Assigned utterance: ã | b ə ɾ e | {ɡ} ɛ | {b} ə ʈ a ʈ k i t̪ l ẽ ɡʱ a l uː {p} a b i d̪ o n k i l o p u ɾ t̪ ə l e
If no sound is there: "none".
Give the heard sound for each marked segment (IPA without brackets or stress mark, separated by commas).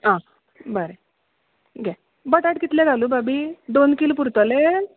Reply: ɡ, b, b